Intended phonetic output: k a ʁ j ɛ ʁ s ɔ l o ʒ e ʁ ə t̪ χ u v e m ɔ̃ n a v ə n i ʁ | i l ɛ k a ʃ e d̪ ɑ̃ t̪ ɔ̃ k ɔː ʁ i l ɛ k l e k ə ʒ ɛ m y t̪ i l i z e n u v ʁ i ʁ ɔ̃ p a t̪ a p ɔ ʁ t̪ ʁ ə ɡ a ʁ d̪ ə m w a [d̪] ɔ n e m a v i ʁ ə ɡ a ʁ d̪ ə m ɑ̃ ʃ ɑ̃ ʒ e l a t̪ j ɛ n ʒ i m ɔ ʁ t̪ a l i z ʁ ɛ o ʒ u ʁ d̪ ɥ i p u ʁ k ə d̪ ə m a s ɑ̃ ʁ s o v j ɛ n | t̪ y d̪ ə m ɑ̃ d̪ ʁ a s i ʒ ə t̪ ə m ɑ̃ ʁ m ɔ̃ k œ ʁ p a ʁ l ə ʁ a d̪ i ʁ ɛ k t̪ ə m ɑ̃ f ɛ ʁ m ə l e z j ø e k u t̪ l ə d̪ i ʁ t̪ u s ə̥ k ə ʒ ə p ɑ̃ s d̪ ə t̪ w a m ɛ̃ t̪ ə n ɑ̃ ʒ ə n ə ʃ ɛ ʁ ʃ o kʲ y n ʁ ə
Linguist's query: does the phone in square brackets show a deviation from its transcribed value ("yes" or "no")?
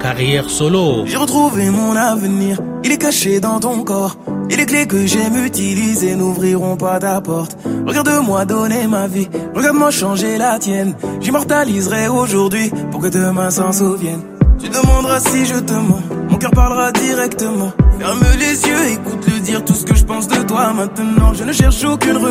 no